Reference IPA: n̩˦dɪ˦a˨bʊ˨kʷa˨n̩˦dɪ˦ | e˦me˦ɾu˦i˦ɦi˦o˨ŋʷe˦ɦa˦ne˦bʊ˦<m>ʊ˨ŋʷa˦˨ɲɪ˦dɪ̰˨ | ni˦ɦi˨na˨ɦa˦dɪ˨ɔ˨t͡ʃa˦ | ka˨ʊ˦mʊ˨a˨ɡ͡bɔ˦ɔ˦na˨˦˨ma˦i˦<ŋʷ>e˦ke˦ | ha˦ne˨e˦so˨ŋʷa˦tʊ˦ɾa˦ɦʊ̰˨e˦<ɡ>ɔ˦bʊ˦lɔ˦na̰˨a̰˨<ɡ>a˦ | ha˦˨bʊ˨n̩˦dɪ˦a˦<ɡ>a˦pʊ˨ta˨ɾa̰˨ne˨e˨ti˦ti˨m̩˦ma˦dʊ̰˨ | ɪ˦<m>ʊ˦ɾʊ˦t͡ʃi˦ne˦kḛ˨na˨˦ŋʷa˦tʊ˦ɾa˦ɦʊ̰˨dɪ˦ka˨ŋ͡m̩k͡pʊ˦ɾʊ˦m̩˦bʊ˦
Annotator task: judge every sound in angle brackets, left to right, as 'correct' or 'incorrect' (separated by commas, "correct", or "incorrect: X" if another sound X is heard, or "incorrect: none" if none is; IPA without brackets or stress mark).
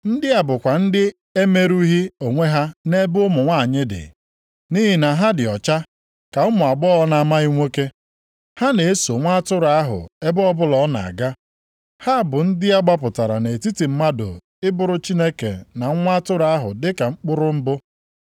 correct, correct, incorrect: b, correct, incorrect: ɡ͡b, incorrect: b